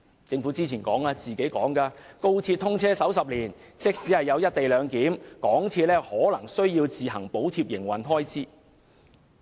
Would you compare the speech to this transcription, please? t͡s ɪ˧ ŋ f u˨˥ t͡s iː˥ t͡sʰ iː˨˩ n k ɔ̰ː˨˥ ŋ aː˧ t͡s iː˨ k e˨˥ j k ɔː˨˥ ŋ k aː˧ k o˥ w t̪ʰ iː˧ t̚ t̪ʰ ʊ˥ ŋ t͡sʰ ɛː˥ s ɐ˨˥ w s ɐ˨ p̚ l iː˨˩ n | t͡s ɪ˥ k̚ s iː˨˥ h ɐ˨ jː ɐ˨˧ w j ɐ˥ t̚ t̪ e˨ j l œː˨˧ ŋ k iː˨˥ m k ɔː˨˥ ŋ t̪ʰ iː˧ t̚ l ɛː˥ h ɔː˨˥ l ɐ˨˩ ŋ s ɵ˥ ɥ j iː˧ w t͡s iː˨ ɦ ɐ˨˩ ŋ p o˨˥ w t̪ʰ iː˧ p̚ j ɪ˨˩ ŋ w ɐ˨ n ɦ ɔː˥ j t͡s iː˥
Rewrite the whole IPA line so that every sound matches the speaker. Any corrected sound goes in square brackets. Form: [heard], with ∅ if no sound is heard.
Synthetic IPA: t͡s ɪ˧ ŋ f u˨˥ t͡s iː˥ t͡sʰ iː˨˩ n k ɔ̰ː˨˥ ŋ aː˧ t͡s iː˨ k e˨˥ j k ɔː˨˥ ŋ k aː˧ k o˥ w t̪ʰ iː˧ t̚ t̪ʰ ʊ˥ ŋ t͡sʰ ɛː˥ s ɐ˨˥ w s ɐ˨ p̚ l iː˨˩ n | t͡s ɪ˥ k̚ s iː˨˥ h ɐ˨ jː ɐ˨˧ w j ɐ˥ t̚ t̪ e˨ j l œː˨˧ ŋ k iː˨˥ m k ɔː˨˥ ŋ t̪ʰ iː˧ t̚ l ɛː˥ h ɔː˨˥ l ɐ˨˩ ŋ s ɵ˥ ɥ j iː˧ w t͡s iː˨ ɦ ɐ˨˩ ŋ p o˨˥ w t̪ʰ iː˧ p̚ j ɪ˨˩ ŋ w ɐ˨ n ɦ ɔː˥ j t͡s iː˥

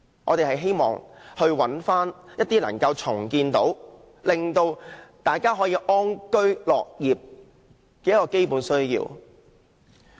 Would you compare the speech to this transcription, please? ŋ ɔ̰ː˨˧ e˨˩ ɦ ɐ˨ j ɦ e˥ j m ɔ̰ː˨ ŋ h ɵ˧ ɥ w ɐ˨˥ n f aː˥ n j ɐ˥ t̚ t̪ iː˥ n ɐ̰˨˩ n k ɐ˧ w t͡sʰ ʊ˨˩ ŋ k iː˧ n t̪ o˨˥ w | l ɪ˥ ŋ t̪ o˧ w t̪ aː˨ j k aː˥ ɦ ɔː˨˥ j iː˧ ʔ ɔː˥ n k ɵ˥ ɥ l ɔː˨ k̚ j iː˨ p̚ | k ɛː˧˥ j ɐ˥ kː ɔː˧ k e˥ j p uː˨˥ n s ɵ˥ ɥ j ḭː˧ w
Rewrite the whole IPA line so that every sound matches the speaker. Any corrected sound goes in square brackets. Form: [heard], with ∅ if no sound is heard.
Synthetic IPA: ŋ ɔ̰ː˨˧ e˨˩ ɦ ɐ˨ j ɦ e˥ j m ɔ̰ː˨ ŋ h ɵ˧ ɥ w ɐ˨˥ n f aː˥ n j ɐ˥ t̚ t̪ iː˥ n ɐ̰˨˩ [ŋ] k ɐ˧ w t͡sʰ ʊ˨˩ ŋ k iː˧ n t̪ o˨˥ w | l [ɪ˨] ŋ t̪ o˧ w t̪ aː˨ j k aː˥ ɦ ɔː˨˥ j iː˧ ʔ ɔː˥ n k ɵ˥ ɥ l ɔː˨ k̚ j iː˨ p̚ | k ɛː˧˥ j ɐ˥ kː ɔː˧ k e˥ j p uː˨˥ n s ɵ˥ ɥ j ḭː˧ w

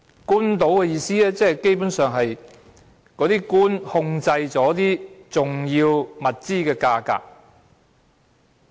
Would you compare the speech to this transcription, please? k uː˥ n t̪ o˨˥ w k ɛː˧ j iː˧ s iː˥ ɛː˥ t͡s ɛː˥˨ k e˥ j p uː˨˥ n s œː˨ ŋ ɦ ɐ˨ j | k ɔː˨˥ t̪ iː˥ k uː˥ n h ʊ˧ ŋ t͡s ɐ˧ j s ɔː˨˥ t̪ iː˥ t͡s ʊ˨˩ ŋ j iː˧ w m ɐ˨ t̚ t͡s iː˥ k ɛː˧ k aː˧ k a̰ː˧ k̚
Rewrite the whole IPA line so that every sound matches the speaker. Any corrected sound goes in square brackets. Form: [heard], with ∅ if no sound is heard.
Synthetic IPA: k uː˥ n t̪ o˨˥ w k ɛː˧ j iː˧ s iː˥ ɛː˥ t͡s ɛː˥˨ k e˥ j p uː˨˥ n s œː˨ ŋ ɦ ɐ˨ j | k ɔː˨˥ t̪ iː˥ k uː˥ n h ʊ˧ ŋ t͡s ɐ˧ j [t͡s] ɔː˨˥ t̪ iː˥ t͡s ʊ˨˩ ŋ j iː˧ w m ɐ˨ t̚ t͡s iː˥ k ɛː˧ k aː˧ k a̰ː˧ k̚

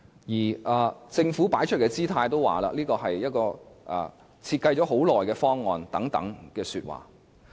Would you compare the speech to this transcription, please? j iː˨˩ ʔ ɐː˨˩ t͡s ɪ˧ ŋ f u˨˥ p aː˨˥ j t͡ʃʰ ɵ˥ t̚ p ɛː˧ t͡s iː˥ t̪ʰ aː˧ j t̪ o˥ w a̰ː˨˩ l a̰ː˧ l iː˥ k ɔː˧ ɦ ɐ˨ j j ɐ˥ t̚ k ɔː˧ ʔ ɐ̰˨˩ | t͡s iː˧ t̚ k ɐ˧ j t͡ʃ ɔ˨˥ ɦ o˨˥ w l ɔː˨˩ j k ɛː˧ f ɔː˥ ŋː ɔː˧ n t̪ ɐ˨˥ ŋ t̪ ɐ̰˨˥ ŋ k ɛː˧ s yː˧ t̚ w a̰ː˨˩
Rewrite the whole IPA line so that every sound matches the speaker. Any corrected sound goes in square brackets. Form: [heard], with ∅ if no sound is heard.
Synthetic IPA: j iː˨˩ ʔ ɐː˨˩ t͡s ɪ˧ ŋ f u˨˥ p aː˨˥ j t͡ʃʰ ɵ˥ t̚ [k] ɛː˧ t͡s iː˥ t̪ʰ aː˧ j t̪ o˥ w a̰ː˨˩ l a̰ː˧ l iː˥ k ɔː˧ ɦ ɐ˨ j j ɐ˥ t̚ k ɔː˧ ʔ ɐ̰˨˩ | [t͡sʰ] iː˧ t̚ k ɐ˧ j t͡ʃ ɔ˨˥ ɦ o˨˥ w l ɔː˨˩ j k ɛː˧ f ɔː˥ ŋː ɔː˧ n t̪ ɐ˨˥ ŋ t̪ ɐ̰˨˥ ŋ k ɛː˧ s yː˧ t̚ w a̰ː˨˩

